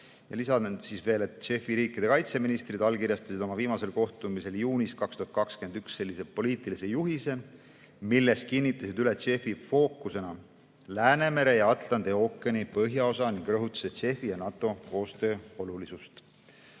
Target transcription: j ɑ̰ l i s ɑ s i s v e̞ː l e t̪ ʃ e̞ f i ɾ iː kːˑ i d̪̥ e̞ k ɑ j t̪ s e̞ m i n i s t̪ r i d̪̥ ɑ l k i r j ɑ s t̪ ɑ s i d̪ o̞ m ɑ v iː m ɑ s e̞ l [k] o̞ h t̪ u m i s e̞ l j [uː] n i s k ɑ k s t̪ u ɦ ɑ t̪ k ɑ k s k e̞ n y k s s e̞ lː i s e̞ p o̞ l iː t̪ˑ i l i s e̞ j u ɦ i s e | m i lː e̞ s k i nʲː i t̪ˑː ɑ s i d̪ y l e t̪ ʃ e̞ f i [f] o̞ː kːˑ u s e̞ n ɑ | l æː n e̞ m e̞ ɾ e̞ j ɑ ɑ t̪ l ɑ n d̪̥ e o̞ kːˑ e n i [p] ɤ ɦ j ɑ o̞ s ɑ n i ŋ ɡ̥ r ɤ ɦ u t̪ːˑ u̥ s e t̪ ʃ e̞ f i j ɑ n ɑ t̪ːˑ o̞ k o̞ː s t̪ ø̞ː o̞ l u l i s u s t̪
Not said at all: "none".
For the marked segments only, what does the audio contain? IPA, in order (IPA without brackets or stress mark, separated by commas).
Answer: k, uː, f, p